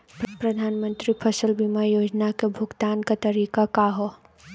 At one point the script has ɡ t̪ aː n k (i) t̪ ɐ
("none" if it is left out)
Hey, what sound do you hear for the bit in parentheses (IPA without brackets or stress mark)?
a